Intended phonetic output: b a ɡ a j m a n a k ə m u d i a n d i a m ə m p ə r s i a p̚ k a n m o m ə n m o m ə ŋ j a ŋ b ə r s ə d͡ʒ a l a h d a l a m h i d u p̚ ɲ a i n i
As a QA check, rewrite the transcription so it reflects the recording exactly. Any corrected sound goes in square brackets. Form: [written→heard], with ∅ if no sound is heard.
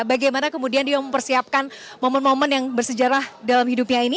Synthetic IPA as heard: b a ɡ a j m a n a k ə m u d i a n d i a m ə m p ə r s i a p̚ k a n m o m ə n m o m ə [ŋ→n] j a ŋ b ə r s ə d͡ʒ a [l→ɾ] a h d a l a m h i d u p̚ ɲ a i n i